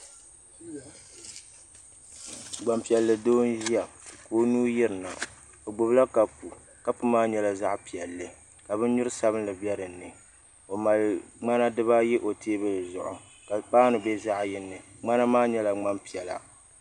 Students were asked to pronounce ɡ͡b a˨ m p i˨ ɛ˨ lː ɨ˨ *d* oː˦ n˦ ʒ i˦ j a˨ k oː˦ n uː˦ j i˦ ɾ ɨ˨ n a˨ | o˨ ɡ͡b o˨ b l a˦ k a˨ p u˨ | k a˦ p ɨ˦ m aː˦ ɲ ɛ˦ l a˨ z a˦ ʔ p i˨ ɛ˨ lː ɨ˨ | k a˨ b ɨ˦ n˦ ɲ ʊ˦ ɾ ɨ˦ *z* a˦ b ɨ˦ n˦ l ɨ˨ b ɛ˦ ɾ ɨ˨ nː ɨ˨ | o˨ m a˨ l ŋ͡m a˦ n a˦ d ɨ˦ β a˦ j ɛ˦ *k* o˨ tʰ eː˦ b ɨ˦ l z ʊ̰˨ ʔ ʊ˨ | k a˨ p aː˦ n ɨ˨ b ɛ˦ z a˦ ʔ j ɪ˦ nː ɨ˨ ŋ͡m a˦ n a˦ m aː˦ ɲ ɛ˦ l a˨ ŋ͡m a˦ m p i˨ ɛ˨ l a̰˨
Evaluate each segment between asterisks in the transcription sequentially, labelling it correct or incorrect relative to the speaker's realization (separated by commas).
correct, incorrect, incorrect